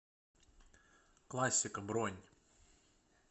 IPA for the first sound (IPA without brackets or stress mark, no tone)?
k